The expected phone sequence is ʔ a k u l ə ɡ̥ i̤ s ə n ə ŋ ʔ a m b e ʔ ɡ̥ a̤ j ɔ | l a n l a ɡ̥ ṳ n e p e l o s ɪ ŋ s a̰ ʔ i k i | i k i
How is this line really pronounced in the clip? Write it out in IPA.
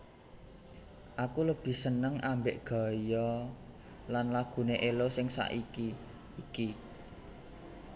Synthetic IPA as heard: ʔ a k u l ə b̥ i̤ s ə n ə ŋ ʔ a m b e ʔ ɡ̥ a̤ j ɔ | l a n l a ɡ̥ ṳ n e ʔ e l o s ɪ ŋ s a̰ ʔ i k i | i k i